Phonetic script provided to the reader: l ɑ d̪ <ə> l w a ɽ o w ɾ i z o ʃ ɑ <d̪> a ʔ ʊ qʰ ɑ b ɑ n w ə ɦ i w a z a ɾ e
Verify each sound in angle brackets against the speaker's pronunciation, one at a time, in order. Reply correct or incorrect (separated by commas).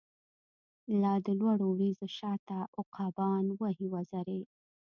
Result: correct, incorrect